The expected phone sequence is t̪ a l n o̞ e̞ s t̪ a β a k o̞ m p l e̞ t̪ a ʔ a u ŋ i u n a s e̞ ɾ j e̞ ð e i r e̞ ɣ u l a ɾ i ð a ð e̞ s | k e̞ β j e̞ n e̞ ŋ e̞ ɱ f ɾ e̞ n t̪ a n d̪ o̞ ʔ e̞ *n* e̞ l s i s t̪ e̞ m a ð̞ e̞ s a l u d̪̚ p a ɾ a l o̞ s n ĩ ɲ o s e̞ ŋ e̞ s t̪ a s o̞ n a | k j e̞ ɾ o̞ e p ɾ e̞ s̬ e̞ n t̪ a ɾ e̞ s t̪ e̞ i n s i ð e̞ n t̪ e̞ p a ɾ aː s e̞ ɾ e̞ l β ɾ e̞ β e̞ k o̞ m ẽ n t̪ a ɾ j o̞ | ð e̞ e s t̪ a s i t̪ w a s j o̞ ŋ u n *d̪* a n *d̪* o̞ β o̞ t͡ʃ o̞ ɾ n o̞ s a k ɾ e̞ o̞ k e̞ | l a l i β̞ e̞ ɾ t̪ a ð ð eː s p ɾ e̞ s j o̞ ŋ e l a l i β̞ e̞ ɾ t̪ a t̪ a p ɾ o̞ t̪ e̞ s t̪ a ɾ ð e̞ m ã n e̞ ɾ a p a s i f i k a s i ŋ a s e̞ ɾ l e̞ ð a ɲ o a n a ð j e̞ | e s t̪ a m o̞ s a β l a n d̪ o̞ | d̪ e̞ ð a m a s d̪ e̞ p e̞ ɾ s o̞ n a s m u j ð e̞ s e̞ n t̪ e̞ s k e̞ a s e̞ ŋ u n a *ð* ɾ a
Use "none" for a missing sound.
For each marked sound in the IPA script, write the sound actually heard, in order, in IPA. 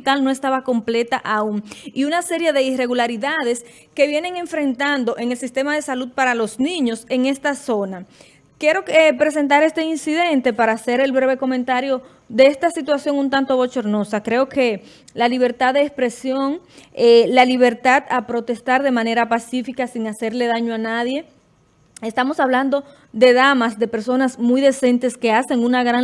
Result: ŋ, t̪, t̪, ɣ

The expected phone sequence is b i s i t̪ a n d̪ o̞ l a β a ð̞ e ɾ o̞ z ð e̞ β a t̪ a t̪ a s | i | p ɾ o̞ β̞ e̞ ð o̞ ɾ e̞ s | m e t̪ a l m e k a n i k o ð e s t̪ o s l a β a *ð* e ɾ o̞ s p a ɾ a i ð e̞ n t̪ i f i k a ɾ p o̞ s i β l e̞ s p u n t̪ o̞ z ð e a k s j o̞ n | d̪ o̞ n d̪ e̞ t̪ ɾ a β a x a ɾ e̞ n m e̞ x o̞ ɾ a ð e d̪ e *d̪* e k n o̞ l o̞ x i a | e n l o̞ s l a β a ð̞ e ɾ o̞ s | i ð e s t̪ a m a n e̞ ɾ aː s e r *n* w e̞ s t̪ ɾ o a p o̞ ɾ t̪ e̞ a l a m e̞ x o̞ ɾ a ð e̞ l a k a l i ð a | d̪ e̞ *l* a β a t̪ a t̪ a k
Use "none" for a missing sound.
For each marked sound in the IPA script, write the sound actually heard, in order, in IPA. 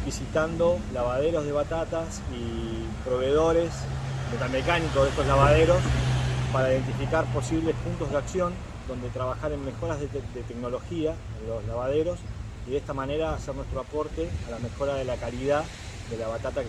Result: ð, t̪, n, l

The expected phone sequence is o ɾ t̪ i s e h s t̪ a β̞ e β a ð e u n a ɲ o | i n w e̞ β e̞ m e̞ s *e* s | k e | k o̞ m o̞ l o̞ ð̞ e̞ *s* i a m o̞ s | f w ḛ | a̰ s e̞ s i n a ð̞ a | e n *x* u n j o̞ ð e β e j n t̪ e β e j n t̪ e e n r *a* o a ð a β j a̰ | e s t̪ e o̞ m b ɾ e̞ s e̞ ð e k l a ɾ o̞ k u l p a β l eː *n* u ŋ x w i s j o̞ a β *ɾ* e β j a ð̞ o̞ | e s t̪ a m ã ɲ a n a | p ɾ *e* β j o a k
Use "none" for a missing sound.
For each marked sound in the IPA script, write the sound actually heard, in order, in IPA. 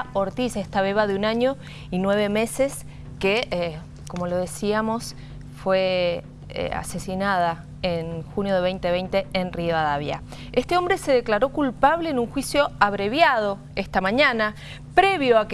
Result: e, s, x, i, n, ɾ, e

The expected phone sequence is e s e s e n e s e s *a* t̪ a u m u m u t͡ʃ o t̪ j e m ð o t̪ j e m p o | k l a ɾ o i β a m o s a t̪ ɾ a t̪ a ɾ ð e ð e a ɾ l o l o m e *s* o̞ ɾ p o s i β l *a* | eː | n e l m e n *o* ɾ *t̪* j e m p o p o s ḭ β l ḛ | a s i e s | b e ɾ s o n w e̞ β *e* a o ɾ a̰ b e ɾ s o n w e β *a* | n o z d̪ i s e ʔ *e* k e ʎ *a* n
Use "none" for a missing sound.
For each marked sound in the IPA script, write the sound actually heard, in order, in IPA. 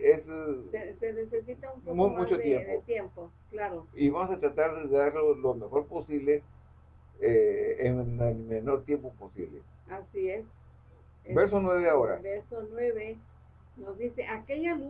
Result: i, x, e, o, t̪, e, e, a, a

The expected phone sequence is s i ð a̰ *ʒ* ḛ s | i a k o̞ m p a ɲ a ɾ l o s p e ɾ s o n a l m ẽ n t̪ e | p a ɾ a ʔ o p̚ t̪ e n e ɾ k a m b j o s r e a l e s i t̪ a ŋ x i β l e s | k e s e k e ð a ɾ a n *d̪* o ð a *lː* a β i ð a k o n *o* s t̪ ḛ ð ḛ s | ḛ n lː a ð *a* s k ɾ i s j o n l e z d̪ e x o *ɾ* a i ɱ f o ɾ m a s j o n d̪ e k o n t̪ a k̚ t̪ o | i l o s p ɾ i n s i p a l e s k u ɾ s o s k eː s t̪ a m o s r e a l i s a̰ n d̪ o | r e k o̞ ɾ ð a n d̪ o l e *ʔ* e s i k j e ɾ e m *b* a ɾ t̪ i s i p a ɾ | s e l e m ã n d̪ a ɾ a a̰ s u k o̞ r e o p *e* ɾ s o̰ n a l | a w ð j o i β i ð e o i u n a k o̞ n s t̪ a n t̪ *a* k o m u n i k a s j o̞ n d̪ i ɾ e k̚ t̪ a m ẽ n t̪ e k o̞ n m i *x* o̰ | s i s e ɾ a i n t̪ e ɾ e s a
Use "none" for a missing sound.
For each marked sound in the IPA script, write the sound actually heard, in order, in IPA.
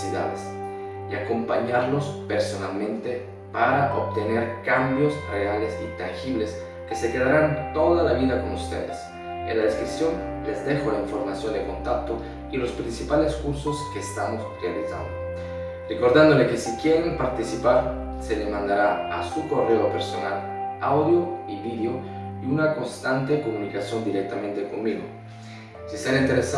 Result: ð, t̪, l, u, e, l, k, p, e, e, ɣ

